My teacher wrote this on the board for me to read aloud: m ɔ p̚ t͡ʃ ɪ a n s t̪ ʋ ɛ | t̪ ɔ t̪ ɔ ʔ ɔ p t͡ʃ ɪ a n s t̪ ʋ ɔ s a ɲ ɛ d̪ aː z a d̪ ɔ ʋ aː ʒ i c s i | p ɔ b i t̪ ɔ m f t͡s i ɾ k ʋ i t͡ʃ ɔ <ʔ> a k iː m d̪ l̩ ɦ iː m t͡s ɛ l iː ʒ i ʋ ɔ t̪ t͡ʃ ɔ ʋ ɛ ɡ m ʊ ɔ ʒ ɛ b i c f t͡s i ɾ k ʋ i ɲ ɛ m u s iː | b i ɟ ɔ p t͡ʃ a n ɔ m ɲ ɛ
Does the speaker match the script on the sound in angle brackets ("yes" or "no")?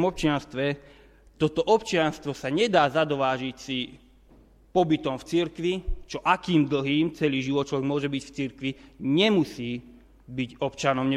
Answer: yes